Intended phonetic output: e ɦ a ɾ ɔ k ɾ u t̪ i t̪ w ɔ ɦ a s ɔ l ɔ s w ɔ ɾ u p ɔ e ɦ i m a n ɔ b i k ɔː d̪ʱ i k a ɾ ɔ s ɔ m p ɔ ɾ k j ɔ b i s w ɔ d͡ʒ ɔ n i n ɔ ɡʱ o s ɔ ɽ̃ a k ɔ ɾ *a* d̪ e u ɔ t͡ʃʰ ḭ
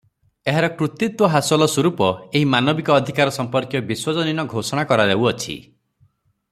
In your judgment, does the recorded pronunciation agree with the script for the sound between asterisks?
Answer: yes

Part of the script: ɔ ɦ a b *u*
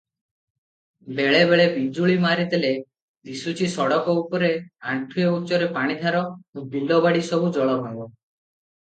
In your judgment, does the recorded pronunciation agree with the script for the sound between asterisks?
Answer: no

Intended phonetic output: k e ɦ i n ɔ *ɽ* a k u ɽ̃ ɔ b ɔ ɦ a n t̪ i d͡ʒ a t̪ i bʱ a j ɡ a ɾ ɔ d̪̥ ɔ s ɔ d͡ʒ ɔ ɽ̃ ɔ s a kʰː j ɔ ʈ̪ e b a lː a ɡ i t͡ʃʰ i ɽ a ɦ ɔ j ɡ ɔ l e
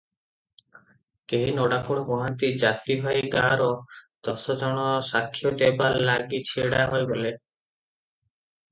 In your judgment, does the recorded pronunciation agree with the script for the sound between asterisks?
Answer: yes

